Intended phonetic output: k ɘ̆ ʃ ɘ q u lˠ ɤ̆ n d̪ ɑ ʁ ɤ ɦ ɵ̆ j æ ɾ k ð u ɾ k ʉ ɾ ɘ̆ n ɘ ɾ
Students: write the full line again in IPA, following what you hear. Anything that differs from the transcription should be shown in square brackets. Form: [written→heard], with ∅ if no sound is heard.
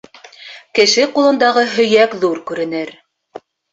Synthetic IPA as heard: k ɘ̆ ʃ ɘ q u lˠ ɤ̆ n d̪ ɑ ʁ ɤ ɦ ɵ̆ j æ [ɾ→∅] k ð u ɾ k ʉ ɾ ɘ̆ n ɘ ɾ